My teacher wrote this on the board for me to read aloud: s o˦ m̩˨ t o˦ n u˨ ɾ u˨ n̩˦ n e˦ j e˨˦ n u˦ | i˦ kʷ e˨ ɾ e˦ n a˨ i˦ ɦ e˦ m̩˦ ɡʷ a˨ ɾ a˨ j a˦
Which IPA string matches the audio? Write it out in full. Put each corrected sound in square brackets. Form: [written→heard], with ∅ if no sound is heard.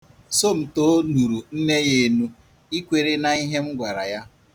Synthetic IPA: s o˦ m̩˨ t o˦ n u˨ ɾ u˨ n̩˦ n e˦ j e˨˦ n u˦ | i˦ kʷ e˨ ɾ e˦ n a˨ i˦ ɦ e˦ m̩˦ ɡʷ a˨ ɾ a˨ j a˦